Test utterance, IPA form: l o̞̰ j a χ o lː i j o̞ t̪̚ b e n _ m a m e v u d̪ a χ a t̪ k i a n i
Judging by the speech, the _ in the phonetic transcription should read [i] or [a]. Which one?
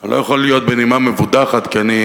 i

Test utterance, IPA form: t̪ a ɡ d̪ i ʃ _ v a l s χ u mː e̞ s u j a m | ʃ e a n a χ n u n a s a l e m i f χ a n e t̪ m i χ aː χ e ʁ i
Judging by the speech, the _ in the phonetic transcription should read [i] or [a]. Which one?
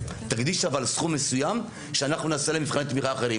a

